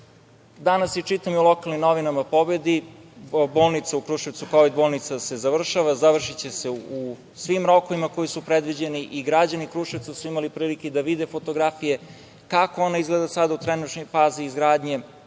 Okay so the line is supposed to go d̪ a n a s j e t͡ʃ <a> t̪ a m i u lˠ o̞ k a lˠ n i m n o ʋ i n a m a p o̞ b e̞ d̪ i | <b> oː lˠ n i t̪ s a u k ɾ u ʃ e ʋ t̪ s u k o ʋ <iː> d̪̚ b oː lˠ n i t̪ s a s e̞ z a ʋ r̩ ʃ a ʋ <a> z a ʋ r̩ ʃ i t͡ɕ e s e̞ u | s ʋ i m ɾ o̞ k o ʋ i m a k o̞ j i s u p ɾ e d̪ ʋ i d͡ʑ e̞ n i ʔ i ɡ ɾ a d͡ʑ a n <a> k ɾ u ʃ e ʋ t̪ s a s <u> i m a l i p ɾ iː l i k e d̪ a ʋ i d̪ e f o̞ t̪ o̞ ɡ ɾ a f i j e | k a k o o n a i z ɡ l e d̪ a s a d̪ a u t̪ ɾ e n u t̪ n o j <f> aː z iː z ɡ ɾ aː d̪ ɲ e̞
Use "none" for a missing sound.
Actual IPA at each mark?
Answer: i, b, i, a, i, u, f

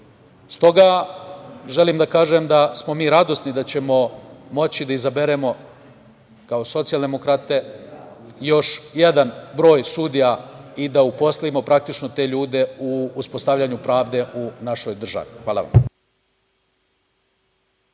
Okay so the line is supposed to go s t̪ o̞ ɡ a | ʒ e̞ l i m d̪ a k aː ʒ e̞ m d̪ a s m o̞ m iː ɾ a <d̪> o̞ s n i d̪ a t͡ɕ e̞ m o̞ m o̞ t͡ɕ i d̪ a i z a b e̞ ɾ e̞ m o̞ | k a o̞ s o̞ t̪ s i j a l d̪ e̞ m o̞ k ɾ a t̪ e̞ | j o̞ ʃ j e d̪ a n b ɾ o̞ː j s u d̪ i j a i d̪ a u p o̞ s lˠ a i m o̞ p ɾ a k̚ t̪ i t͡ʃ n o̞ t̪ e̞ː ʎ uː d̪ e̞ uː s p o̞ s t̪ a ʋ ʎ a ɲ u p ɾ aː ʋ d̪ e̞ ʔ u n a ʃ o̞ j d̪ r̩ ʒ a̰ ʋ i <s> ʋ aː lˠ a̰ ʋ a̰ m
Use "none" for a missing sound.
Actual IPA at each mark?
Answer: d̪, x

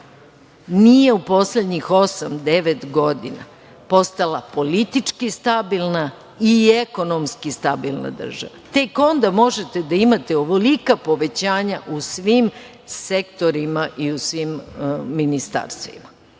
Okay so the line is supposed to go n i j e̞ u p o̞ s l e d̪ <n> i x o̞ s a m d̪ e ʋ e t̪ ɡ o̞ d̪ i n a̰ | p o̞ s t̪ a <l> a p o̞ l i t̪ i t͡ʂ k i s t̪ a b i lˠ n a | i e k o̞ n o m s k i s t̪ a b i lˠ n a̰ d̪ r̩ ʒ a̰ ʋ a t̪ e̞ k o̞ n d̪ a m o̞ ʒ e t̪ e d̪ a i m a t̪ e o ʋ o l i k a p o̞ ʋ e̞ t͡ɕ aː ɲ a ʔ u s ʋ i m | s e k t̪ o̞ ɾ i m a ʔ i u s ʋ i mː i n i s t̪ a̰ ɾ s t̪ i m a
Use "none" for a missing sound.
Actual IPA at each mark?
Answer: ɲ, l

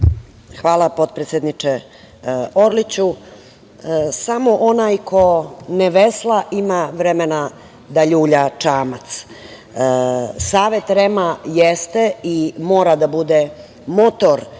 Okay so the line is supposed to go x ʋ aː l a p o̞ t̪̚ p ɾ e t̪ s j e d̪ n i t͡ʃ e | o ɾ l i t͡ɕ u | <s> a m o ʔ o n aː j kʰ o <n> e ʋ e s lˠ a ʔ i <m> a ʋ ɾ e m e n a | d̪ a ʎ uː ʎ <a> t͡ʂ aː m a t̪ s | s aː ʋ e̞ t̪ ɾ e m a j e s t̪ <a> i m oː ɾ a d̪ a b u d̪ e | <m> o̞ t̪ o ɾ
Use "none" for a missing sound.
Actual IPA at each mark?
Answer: s, n, m, a, e, m

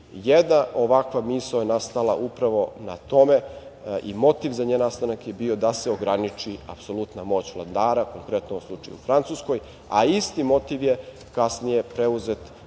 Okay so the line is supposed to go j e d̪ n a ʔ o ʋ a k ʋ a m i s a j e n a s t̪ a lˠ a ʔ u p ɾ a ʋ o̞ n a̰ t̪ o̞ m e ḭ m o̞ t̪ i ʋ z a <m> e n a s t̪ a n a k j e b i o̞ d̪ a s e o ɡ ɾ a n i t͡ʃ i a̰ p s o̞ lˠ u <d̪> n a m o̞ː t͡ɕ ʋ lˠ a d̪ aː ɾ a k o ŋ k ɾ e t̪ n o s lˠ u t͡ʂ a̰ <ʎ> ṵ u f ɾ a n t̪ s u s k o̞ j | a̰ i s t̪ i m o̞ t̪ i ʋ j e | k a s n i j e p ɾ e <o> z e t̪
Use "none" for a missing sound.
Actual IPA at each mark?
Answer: ɲ, t̪, j, u

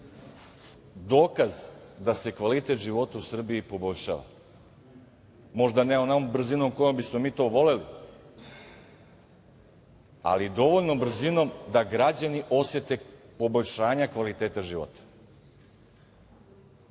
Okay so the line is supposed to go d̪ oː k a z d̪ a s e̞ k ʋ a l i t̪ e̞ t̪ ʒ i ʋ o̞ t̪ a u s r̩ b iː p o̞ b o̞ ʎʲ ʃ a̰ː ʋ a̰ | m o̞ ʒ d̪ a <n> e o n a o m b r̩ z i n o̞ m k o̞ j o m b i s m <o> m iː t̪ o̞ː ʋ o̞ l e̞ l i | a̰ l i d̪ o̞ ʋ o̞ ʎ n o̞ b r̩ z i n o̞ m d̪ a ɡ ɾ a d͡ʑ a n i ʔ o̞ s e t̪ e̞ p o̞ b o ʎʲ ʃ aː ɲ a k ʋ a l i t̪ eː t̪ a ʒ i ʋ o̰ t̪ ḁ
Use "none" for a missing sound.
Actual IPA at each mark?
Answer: n, o

